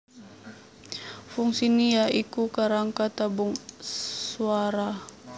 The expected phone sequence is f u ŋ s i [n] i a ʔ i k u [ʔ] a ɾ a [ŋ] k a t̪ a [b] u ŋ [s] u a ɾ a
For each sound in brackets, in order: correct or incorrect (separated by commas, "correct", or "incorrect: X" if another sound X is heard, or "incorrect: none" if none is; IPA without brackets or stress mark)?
correct, incorrect: k, correct, correct, correct